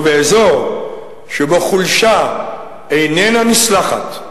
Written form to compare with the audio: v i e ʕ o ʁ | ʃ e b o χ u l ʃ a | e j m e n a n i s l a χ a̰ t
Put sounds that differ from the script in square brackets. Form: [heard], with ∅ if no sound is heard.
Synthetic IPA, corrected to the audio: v [e] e [z] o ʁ | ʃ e b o χ u l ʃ a | e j [n] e n a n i s l a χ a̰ t